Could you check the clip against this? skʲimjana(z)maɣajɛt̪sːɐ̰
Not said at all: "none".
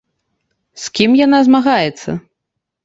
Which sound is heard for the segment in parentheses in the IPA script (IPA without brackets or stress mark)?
z